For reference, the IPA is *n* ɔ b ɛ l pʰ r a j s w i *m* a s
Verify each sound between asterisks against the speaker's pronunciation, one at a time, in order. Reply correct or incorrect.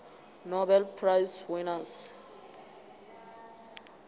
correct, incorrect: n

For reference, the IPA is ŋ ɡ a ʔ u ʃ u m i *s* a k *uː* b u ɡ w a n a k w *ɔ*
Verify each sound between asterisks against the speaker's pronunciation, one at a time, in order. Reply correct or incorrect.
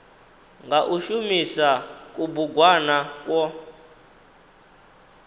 correct, incorrect: u, correct

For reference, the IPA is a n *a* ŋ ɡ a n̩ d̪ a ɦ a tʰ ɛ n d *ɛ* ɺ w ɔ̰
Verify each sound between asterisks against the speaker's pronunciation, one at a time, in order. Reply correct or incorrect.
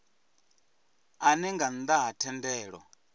incorrect: ɛ, incorrect: ɛː

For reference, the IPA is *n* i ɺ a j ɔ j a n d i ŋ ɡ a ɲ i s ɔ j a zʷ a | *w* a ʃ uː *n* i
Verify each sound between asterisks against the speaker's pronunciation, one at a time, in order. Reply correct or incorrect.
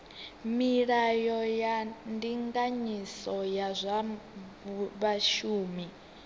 incorrect: m, incorrect: β, incorrect: m

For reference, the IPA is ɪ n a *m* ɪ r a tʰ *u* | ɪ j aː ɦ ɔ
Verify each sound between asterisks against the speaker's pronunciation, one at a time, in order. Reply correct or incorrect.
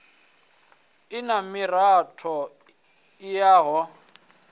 correct, incorrect: ɔ

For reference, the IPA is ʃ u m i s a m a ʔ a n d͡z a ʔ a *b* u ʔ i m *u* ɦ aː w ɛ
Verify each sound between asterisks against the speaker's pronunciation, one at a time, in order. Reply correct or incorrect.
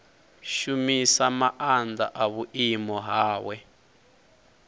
incorrect: β, incorrect: ɔ

